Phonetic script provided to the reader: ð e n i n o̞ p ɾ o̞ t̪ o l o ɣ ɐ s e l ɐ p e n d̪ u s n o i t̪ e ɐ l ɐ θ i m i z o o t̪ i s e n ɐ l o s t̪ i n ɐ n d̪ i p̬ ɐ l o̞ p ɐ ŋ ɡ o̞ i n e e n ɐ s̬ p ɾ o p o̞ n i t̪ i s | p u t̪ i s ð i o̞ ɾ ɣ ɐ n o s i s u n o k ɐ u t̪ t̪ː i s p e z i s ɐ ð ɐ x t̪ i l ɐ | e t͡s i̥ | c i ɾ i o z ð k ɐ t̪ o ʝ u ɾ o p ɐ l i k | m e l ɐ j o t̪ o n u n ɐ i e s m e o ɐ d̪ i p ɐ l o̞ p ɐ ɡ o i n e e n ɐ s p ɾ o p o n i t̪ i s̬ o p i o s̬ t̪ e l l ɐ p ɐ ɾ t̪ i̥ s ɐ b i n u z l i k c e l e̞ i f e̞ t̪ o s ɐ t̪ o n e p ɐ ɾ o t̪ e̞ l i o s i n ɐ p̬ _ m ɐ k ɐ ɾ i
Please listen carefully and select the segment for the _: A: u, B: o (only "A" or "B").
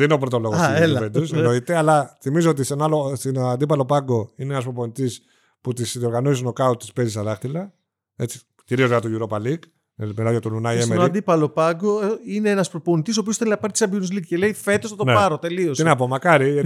B